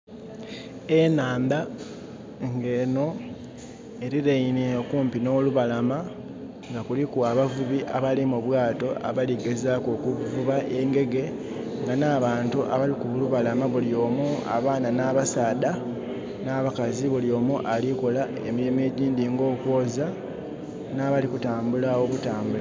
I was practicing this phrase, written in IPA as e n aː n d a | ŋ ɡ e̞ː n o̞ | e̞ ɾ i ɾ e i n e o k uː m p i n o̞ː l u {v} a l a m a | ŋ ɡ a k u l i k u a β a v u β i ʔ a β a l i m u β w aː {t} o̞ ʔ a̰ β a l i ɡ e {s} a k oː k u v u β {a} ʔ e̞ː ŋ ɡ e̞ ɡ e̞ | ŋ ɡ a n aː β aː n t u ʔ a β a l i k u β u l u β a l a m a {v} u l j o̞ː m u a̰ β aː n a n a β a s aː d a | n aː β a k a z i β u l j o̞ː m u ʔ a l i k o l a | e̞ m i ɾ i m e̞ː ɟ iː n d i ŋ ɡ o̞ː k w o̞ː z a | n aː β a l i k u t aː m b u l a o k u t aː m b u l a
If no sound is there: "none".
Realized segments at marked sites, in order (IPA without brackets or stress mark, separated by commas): β, t, z, a, β